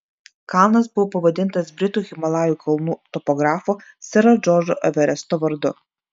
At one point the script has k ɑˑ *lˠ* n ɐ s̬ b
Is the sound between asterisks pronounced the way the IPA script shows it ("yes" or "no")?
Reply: yes